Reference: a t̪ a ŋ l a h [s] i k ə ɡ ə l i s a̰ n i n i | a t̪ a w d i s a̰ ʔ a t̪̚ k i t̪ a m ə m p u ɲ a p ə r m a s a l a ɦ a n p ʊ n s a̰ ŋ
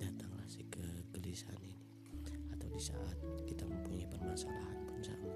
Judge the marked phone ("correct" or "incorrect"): correct